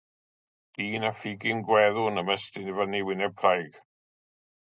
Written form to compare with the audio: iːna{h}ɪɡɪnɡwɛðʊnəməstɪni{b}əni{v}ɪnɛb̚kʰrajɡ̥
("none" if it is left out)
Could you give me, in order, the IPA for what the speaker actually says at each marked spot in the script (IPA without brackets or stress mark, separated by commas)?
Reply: f, v, w